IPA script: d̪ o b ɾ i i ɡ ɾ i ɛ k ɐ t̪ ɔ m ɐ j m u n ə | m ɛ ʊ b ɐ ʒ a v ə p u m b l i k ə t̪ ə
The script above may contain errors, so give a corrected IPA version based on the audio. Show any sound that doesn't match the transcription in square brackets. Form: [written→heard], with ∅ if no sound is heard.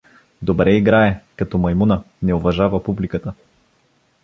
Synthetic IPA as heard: d̪ o b ɾ [i→ɛ] i ɡ ɾ [i→a] ɛ k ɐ t̪ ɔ m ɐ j m u n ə | [m→n] ɛ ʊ [b→v] ɐ ʒ a v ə p u [m→∅] b l i k ə t̪ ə